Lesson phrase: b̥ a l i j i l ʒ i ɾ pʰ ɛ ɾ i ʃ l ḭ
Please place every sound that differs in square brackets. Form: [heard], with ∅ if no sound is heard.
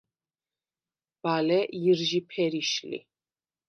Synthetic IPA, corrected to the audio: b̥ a l [ɛ] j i [ɾ] ʒ i [∅] pʰ ɛ ɾ i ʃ l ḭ